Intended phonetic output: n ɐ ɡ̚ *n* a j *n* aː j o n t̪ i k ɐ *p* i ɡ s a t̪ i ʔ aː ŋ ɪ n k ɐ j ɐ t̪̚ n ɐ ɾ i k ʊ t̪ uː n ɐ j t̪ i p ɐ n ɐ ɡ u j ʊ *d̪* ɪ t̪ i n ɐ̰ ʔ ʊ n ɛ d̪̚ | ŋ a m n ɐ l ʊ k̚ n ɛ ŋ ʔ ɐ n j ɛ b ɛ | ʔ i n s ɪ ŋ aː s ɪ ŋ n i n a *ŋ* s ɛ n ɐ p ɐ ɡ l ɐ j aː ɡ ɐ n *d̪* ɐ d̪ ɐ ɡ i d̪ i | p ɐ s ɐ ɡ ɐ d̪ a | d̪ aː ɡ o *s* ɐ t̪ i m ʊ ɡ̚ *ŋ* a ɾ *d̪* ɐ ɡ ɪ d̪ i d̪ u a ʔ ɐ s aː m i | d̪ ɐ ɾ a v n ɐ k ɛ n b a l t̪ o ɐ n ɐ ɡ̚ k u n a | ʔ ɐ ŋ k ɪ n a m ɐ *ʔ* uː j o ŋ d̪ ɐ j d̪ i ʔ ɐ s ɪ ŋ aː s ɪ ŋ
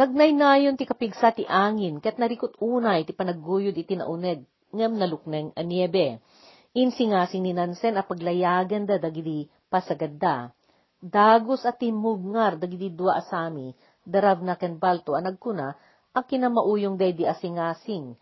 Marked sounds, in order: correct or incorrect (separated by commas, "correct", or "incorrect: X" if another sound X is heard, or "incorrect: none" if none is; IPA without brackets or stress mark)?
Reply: correct, correct, correct, correct, incorrect: n, correct, correct, correct, correct, correct